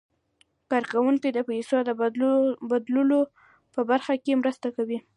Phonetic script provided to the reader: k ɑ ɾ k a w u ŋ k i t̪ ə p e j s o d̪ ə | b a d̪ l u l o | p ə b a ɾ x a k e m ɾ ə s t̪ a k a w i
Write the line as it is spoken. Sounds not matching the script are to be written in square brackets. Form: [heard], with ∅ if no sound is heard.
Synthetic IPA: k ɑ ɾ k a w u ŋ k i [d̪] ə p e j s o d̪ ə | b a d̪ l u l o | p ə b a ɾ x a k e m ɾ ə s t̪ a k a w i